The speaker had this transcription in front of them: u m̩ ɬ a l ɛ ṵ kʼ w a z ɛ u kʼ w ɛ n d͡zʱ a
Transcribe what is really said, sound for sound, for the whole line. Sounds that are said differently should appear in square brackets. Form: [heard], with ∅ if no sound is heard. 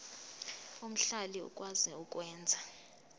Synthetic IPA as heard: u m̩ ɬ a l [i] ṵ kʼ w a z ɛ u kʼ w [ɛː] n d͡zʱ a